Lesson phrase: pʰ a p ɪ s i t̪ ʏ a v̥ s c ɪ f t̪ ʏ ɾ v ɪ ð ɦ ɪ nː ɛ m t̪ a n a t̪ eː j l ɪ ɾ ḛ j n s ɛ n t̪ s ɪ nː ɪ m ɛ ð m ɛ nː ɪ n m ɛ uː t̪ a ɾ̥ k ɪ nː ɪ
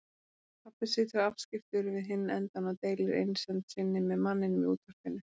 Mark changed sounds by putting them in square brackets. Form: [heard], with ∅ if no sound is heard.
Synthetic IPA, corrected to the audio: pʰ a p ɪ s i t̪ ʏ a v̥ s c ɪ f t̪ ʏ ɾ v ɪ ð ɦ ɪ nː ɛ [n] t̪ a n a t̪ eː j l ɪ ɾ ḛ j n s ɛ n t̪ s ɪ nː ɪ m ɛ ð m [a] nː ɪ n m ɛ uː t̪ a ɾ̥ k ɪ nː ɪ